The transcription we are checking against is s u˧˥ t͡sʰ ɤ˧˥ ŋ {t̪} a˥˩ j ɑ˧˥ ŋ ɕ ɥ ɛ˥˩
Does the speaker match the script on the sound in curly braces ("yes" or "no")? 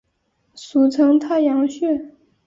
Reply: no